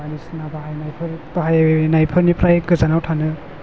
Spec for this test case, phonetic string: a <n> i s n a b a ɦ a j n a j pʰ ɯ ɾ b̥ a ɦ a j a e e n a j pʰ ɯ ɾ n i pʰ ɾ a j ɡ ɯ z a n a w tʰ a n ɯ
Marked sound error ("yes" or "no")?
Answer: no